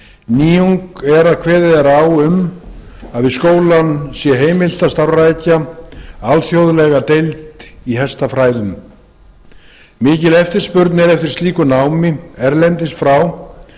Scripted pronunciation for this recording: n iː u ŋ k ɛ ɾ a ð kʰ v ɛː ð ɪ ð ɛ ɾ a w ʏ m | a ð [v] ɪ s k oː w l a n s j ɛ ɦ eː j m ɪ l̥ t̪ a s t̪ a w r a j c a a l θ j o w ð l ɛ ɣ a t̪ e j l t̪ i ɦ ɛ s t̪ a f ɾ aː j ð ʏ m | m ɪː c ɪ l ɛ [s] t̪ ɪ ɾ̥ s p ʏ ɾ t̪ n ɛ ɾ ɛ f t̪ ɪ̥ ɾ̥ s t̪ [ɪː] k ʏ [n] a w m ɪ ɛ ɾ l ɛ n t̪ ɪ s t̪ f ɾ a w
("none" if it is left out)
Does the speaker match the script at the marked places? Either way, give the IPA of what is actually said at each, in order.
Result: v, f, iː, n

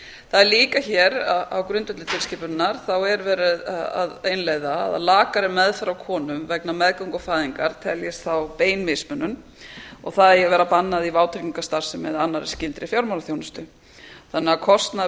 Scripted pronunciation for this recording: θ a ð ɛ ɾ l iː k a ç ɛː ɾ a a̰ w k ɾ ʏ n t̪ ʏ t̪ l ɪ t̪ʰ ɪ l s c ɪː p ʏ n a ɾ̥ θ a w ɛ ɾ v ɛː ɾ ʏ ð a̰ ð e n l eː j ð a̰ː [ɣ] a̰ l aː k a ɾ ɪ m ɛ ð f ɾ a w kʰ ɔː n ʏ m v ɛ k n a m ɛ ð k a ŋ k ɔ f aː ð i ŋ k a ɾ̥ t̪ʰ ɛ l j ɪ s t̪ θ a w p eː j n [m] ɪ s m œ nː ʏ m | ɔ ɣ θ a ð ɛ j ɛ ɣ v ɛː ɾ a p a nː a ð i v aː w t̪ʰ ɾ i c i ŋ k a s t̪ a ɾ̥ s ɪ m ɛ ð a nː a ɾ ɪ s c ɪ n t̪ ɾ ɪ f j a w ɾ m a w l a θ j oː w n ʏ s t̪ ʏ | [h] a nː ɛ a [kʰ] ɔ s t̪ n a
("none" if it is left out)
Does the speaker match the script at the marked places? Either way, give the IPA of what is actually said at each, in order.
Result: ð, m, θ, kʰ

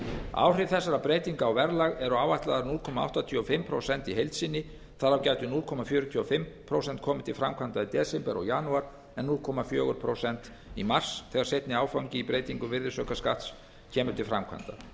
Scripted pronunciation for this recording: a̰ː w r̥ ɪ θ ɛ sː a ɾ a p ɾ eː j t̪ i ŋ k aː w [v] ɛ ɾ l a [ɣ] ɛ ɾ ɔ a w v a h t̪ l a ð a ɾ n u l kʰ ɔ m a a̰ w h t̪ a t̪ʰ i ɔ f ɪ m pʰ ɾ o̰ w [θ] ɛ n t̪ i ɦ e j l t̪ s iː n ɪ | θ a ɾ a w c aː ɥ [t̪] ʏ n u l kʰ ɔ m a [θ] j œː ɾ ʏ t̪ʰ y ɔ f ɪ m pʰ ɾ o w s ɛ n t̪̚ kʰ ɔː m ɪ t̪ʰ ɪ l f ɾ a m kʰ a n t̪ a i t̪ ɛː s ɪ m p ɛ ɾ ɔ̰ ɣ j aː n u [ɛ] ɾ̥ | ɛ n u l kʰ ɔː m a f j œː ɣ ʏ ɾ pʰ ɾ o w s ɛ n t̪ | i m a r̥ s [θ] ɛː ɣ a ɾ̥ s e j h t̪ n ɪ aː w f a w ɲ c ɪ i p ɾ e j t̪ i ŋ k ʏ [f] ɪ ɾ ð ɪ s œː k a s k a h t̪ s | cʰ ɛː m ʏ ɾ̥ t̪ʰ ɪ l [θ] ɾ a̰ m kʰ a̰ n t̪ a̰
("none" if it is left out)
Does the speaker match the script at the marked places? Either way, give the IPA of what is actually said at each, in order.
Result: v, ɣ, s, t̪, f, a, θ, v, f

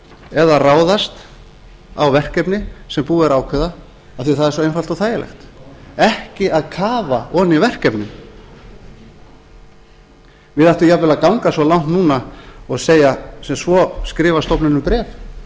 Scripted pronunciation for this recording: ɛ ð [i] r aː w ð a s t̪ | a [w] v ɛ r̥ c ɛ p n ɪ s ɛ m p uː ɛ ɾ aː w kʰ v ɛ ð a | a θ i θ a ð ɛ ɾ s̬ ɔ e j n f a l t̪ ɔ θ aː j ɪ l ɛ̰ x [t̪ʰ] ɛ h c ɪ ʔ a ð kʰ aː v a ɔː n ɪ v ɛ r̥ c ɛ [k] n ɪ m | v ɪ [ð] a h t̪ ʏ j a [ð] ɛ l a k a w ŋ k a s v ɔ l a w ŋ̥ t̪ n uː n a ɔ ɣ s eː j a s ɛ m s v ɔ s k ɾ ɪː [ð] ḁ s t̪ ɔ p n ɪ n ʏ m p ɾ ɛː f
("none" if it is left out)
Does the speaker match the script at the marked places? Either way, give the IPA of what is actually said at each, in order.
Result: a, w, t̪, p, ð, v, v

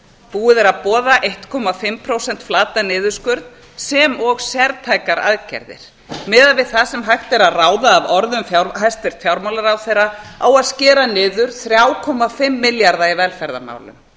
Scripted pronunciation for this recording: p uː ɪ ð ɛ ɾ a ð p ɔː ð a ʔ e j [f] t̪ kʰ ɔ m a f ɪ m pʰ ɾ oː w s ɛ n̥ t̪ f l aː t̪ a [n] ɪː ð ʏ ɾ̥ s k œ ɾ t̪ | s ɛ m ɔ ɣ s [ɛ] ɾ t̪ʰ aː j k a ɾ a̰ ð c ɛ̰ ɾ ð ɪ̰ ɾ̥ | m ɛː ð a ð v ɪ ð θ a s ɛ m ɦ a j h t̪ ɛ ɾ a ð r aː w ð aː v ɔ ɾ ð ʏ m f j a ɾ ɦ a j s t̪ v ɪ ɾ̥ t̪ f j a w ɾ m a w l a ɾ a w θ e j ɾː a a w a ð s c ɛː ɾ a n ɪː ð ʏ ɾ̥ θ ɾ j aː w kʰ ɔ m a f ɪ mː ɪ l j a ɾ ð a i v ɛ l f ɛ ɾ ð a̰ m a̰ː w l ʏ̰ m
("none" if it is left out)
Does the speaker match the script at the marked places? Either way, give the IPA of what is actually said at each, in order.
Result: h, n, ɛ

